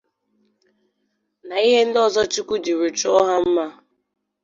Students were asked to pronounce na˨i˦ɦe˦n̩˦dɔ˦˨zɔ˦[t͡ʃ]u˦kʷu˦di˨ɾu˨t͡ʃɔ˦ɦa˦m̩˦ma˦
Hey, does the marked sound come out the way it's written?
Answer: yes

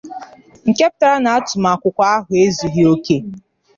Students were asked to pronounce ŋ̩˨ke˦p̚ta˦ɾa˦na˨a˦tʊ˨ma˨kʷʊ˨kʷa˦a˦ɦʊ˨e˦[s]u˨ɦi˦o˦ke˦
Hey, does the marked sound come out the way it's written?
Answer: no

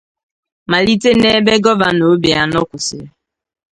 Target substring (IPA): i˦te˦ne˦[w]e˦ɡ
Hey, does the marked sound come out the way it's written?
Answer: no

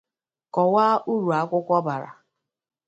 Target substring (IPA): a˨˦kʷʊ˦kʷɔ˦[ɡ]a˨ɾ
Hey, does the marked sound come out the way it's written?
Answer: no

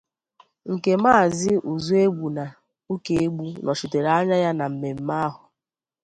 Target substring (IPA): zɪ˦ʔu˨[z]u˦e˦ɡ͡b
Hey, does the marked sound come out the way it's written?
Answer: yes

